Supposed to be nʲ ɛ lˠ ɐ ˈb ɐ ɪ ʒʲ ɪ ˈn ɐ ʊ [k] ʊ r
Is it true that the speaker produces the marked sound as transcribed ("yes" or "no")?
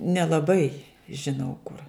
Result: yes